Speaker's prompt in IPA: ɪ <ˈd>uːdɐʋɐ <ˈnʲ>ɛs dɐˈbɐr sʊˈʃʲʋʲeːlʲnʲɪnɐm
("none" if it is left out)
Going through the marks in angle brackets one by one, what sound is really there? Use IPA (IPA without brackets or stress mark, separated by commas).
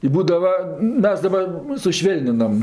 b, mʲ